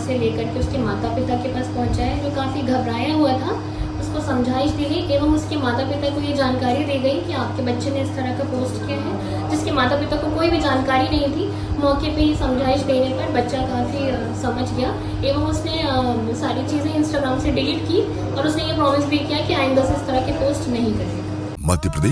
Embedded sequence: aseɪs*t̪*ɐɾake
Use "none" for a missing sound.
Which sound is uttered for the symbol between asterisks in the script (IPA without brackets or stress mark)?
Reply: t̪